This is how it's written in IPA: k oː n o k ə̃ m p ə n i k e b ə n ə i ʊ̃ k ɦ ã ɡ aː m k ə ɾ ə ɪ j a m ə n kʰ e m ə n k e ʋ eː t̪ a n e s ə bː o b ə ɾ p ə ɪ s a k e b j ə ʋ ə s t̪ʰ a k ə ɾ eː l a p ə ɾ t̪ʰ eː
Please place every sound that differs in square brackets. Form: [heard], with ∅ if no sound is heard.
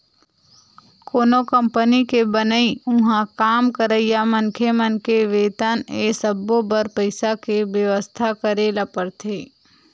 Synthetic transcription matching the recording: k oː n o k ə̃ m p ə n i k e b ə n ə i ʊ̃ [∅] ɦ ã [k] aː m k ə ɾ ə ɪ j a m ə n kʰ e m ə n k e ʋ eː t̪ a n e s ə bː o b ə ɾ p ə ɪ s a k e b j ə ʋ ə s t̪ʰ a k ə ɾ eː l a p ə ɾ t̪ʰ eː